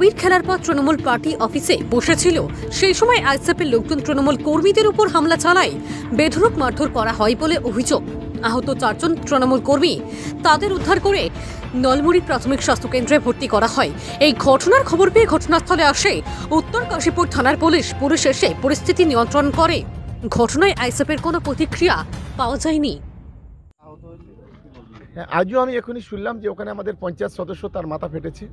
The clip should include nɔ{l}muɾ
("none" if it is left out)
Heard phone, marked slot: l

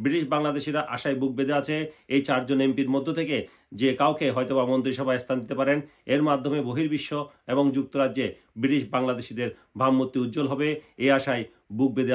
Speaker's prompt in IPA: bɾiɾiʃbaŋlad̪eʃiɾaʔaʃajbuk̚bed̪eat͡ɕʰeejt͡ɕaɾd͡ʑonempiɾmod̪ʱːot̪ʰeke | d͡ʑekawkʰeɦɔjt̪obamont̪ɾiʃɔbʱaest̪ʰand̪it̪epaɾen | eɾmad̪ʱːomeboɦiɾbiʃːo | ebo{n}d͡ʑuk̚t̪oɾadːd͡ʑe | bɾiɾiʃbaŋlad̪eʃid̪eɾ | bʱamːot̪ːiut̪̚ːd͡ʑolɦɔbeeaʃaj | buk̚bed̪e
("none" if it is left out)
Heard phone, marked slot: ŋ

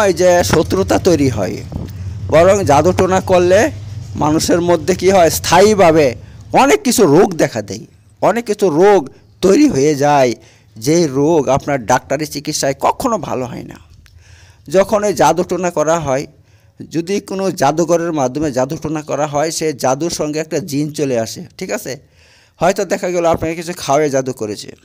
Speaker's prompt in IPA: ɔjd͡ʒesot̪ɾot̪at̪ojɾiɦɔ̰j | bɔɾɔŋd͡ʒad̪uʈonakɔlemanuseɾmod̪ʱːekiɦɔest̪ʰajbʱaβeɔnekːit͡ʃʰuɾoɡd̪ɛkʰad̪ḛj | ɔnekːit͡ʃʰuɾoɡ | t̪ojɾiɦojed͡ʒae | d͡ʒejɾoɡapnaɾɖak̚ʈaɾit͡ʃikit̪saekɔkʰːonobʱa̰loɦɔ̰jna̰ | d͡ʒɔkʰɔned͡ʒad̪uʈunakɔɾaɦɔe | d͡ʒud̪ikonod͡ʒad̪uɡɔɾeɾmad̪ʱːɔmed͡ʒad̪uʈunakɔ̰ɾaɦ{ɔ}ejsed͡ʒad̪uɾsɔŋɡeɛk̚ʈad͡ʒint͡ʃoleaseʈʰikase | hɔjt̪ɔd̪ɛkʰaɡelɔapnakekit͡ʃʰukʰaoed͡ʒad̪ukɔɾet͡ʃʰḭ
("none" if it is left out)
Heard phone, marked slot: ɔ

